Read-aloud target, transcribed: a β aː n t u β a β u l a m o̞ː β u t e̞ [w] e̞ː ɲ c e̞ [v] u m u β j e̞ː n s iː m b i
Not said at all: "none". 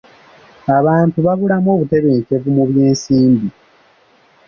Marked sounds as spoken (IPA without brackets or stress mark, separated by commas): β, v